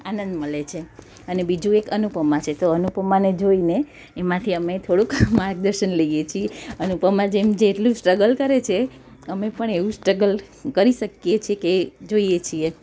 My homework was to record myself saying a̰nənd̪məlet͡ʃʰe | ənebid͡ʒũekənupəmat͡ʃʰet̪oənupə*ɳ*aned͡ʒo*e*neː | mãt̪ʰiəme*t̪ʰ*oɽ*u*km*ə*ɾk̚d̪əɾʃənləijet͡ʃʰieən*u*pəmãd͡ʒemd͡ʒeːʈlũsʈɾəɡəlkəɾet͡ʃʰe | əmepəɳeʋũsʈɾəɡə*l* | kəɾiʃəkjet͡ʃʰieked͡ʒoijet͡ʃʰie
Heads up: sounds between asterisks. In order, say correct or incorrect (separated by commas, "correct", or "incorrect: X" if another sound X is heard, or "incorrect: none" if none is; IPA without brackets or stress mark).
incorrect: m, incorrect: i, correct, correct, incorrect: a, correct, correct